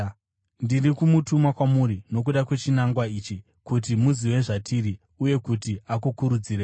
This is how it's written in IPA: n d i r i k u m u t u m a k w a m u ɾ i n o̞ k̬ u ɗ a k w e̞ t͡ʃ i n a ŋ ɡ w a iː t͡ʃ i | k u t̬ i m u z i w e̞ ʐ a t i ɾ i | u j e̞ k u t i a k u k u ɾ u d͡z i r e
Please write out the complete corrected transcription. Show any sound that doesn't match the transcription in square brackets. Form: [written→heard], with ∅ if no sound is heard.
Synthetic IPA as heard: n d i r i k u m u t u m a k w a m u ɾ i n o̞ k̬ u ɗ a k w e̞ t͡ʃ i n a ŋ ɡ w a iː t͡ʃ i | k u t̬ i m u z i w e̞ ʐ a t i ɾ i | u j e̞ k u t i a k u k u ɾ u d͡z i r e

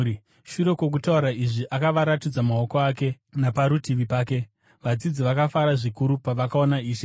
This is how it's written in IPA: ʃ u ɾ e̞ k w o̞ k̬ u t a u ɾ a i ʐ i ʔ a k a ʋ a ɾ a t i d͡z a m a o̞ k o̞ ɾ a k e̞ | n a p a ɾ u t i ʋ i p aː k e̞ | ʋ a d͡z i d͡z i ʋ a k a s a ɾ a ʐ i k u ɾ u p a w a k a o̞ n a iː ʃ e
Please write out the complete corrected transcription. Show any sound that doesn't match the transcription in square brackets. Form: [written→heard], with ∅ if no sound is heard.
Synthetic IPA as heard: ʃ u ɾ e̞ k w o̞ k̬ u t a u ɾ a i ʐ i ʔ a k a ʋ a ɾ a t i d͡z a m a o̞ k o̞ [ɾ→∅] a k e̞ | n a p a ɾ u t i ʋ i p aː k e̞ | ʋ a d͡z i d͡z i ʋ a k a [s→f] a ɾ a ʐ i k u ɾ u p a [w→ʋ] a k a o̞ n a iː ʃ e

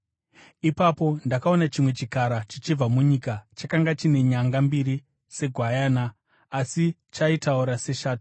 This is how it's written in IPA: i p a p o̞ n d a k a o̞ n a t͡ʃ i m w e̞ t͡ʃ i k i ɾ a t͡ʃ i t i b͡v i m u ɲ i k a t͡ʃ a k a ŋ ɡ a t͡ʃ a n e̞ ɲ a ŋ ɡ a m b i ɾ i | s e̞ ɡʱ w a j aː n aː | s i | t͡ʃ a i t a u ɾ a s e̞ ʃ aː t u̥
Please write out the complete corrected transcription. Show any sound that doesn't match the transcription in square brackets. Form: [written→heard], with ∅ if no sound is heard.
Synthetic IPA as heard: i p a p o̞ n d a k a o̞ n a t͡ʃ i m w e̞ t͡ʃ i k [i→a] ɾ a t͡ʃ i [t→t͡ʃ] i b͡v [i→a] m u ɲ i k a t͡ʃ a k a ŋ ɡ a t͡ʃ [a→i] n e̞ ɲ a ŋ ɡ a m b i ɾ i | s e̞ ɡʱ w a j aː n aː | s i | t͡ʃ a i t a u ɾ a s e̞ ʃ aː t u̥

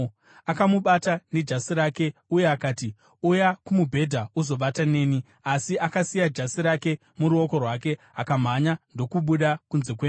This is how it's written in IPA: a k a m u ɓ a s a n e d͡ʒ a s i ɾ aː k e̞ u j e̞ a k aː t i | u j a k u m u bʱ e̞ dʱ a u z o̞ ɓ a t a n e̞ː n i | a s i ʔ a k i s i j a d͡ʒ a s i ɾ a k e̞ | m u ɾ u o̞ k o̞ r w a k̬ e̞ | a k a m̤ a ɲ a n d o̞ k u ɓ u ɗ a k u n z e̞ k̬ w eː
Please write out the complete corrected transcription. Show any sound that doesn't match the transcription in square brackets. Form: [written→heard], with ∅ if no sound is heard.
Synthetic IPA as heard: a k a m u ɓ a [s→t] a n e d͡ʒ a s i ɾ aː k e̞ u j e̞ a k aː t i | u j a k u m u bʱ e̞ dʱ a u z o̞ ɓ a t a n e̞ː n i | a s i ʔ a k [i→a] s i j a d͡ʒ a s i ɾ a k e̞ | m u ɾ u o̞ k o̞ r w a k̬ e̞ | a k a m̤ a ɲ a n d o̞ k u ɓ u ɗ a k u n z e̞ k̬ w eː

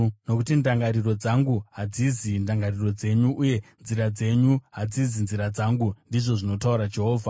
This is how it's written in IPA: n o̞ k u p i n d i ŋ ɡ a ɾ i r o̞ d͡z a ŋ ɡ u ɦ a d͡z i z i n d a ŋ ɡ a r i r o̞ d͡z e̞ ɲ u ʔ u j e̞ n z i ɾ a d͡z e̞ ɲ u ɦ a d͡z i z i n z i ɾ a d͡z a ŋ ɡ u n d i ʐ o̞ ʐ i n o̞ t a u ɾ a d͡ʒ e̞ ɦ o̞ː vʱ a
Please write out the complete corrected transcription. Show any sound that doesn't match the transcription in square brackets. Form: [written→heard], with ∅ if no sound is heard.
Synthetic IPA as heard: n o̞ k u [p→t] i n d [i→a] ŋ ɡ a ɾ i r o̞ d͡z a ŋ ɡ u ɦ a d͡z i z i n d a ŋ ɡ a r i r o̞ d͡z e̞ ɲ u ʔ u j e̞ n z i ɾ a d͡z e̞ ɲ u ɦ a d͡z i z i n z i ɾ a d͡z a ŋ ɡ u n d i ʐ o̞ ʐ i n o̞ t a u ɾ a d͡ʒ e̞ ɦ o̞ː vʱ a

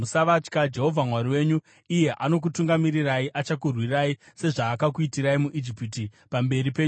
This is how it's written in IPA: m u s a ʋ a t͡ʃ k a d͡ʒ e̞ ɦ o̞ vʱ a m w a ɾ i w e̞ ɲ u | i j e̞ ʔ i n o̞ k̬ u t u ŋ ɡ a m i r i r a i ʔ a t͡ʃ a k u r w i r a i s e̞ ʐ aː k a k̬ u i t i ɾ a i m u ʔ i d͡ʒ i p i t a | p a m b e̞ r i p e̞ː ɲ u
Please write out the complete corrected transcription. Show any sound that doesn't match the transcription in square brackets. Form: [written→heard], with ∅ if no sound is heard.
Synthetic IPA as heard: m u s a ʋ a t͡ʃ k a d͡ʒ e̞ ɦ o̞ vʱ a m w a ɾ i w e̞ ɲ u | i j e̞ ʔ [i→a] n o̞ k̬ u t u ŋ ɡ a m i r i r a i ʔ a t͡ʃ a k u r w i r a i s e̞ ʐ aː k a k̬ u i t i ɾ a i m u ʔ i d͡ʒ i p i t [a→i] | p a m b e̞ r i p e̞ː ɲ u

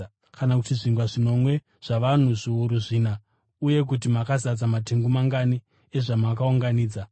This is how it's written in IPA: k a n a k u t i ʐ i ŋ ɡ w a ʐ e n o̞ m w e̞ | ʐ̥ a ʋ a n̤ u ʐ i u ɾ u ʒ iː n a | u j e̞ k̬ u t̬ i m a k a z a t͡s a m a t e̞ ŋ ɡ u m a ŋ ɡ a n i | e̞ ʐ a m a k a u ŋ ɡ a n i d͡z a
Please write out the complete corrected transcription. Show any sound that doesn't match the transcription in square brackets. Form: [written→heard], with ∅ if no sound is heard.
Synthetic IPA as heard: k a n a k u t i ʐ i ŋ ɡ w a ʐ [e→i] n o̞ m w e̞ | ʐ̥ a ʋ a n̤ u ʐ i u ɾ u [ʒ→ʐ] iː n a | u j e̞ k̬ u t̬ i m a k a z a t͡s a m a t e̞ ŋ ɡ u m a ŋ ɡ a n i | e̞ ʐ a m a k a u ŋ ɡ a n [i→iː] d͡z a

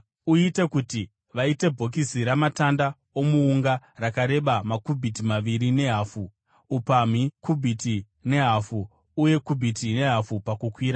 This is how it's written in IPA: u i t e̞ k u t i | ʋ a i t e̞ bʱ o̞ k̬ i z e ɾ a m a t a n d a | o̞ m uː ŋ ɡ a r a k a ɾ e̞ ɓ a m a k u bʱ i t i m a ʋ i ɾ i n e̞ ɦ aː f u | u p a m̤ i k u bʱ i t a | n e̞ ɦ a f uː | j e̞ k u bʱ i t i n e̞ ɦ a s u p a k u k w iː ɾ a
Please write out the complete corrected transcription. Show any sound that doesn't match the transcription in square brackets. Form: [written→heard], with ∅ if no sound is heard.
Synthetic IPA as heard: u i t e̞ k u t i | ʋ a i t e̞ bʱ o̞ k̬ i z [e→i] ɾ a m a t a n d a | o̞ m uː ŋ ɡ a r a k a ɾ e̞ ɓ a m a k u bʱ i t i m a ʋ i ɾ i n e̞ ɦ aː f u | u p a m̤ i k u bʱ i t [a→i] | n e̞ ɦ a f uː | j e̞ k u bʱ i t i n e̞ ɦ a [s→f] u p a k u k w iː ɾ a

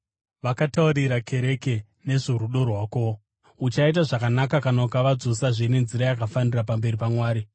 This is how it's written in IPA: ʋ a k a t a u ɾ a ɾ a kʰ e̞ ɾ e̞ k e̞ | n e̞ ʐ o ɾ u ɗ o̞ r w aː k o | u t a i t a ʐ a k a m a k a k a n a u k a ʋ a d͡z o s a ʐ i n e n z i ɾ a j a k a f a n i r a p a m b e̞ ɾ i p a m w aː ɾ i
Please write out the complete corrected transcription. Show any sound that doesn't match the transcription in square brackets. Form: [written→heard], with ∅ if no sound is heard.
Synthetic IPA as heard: ʋ a k a t a u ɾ [a→i] ɾ a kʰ e̞ ɾ e̞ k e̞ | n e̞ ʐ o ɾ u ɗ o̞ r w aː k o | u [t→t͡ʃ] a i t a ʐ a k a [m→n] a k a k a n a u k a ʋ a d͡z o s a ʐ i n e n z i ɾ a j a k a f a n i r a p a m b e̞ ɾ i p a m w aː ɾ i

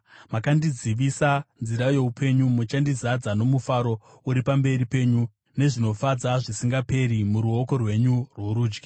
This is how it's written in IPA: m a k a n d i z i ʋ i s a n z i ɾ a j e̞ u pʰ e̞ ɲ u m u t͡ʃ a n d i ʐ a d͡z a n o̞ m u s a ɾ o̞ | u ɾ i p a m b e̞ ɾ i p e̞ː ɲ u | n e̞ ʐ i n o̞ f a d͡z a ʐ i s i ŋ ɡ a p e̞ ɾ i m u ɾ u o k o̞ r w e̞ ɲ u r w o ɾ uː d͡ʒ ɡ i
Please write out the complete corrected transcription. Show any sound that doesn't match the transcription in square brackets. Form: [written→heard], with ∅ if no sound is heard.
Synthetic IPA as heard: m a k a n d i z i ʋ i s a n z i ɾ a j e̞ u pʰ e̞ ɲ u m u t͡ʃ a n d i [ʐ→z] a d͡z a n o̞ m u [s→f] a ɾ o̞ | u ɾ i p a m b e̞ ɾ i p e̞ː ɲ u | n e̞ ʐ i n o̞ f a d͡z a ʐ i s i ŋ ɡ a p e̞ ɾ i m u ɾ u o k o̞ r w e̞ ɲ u r w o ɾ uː d͡ʒ ɡ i

